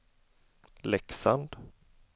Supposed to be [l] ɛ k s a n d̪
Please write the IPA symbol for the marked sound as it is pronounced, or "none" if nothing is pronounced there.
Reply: l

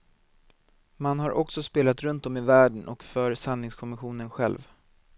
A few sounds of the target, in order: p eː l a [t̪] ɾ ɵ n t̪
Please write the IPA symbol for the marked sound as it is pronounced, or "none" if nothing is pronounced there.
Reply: t̪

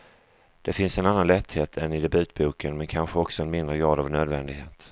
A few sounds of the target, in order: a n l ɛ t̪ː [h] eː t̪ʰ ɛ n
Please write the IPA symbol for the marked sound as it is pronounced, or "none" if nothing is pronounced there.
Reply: h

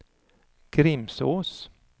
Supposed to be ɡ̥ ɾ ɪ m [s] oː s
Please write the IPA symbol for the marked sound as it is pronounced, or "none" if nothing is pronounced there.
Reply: s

